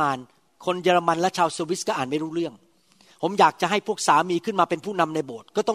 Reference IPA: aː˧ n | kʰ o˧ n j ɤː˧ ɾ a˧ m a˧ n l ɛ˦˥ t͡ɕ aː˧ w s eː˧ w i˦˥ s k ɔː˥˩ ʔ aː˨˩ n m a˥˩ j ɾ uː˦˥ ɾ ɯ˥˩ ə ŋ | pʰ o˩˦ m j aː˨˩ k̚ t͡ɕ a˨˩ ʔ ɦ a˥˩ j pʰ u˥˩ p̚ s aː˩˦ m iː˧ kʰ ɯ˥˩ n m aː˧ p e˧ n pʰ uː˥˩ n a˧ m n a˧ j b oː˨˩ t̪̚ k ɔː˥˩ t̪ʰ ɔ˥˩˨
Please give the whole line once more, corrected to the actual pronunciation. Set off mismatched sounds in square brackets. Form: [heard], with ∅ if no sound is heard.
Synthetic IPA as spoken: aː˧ n | kʰ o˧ n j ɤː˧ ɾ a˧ m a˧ n l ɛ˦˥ [t͡ɕʰ] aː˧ w s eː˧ w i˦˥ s k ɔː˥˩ ʔ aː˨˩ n m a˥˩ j ɾ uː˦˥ ɾ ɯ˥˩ ə ŋ | pʰ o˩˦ m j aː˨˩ k̚ t͡ɕ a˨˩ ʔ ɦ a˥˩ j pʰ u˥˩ [k̚] s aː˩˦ m iː˧ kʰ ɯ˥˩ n m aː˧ p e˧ n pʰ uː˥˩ n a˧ m n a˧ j b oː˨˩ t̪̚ k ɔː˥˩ [t̪] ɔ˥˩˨